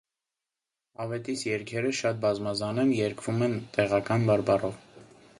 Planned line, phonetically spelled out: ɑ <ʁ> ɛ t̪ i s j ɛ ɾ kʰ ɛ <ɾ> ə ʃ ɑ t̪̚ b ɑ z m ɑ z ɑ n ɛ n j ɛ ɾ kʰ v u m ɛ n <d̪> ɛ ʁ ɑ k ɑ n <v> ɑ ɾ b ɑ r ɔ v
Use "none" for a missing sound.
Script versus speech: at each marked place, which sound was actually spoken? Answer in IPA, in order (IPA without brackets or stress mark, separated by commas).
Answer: v, ɾ, t̪, b